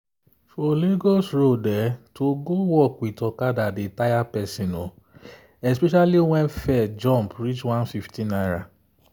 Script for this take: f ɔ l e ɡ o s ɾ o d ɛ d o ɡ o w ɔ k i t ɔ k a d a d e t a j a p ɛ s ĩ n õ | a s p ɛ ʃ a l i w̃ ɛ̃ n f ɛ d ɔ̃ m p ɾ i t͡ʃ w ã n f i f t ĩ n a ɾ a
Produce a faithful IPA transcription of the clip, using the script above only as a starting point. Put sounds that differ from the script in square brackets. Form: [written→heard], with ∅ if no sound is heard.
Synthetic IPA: f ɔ l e ɡ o s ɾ o d ɛ [d→t] o ɡ o w ɔ k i t ɔ k a d a d e t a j a p ɛ s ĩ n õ | [a→ɛ] s p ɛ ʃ a l i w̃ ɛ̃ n f ɛ [d→d͡ʒ] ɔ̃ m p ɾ i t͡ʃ w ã n f i f t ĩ n a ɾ a

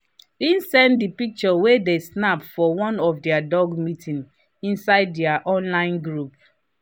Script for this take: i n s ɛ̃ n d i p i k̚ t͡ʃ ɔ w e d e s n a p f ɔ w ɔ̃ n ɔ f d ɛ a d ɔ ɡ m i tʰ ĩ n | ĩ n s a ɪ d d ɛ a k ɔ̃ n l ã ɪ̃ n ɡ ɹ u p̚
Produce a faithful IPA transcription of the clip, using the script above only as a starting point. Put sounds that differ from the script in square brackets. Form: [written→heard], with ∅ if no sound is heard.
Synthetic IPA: i n s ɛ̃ n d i p i k̚ t͡ʃ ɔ w e d e s n a p f ɔ w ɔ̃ n ɔ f d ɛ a d ɔ ɡ m i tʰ ĩ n | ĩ n s a ɪ d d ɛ a [k→ʔ] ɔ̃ n l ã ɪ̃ n ɡ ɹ u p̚

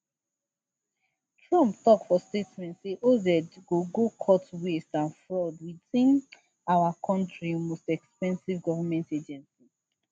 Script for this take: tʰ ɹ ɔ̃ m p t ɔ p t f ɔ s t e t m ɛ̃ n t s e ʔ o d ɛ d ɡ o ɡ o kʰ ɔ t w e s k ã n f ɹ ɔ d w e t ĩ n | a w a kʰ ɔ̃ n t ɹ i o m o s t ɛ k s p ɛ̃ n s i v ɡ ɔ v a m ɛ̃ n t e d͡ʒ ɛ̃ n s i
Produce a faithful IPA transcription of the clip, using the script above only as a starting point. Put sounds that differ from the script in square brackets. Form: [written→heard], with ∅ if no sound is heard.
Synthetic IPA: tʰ ɹ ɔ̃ m p t ɔ [p→k] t f ɔ s t e t m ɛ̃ n t s e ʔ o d ɛ d ɡ o ɡ o kʰ ɔ t w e s [k→t] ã n f ɹ ɔ d w [e→i] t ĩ n | a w a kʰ ɔ̃ n t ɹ i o m o s t ɛ k s p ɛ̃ n s i v ɡ ɔ v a m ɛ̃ n t e d͡ʒ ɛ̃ n s i

